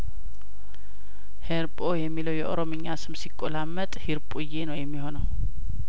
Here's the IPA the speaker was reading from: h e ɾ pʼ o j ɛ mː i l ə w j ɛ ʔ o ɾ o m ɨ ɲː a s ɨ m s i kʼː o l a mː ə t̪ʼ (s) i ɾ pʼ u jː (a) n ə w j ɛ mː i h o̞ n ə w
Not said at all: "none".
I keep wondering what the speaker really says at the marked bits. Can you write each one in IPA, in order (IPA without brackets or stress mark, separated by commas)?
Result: h, e